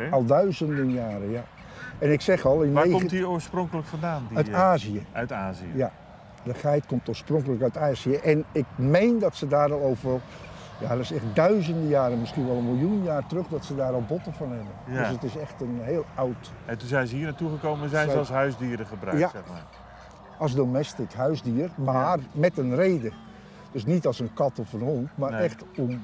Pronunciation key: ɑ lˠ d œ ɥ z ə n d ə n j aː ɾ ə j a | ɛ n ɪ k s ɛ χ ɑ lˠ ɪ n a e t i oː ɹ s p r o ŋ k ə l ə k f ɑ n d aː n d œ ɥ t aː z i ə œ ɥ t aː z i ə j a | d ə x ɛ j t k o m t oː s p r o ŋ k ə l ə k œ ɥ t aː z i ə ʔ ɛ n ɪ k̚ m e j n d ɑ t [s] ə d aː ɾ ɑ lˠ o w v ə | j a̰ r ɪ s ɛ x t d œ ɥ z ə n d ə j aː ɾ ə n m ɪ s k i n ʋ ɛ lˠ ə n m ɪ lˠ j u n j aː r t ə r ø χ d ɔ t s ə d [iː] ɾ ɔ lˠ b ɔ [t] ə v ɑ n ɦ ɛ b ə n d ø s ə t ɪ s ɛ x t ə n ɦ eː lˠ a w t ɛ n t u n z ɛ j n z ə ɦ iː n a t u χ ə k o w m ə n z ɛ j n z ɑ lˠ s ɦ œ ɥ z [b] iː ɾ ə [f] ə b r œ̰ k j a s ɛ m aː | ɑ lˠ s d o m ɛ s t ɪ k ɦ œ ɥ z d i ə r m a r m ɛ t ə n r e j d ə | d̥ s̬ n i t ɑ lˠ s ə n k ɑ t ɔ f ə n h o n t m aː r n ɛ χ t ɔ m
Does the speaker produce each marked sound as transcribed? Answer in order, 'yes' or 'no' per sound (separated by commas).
yes, no, yes, no, no